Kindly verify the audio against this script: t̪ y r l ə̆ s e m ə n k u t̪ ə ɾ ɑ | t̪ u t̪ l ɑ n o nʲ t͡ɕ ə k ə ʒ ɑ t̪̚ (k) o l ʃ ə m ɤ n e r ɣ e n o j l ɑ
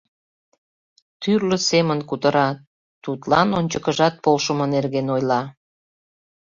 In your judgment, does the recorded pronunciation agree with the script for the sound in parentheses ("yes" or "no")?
no